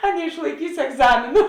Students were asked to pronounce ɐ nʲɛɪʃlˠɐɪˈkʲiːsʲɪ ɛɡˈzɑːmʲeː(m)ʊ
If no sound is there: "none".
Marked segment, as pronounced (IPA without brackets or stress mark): n